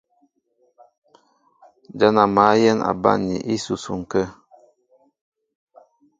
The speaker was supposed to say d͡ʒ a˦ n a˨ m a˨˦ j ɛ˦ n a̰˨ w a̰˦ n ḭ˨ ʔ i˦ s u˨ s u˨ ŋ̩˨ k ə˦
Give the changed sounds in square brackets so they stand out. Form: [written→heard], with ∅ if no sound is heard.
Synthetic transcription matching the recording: d͡ʒ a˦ n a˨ m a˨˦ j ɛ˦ n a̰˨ [w→b] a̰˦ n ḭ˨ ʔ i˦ s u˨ s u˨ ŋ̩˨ k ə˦